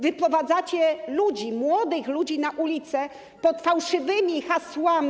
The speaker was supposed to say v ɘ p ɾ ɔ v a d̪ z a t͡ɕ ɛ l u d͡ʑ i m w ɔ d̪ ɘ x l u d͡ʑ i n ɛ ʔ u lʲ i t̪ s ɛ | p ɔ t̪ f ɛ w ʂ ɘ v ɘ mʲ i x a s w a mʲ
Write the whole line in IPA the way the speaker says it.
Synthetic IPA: v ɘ p ɾ ɔ v a d̪ z a t͡ɕ ɛ l u d͡ʑ i m w ɔ d̪ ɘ x l u d͡ʑ i n a ʔ u lʲ i t̪ s ɛ | p ɔ t̪ f a w ʂ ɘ v ɘ mʲ i x a s w a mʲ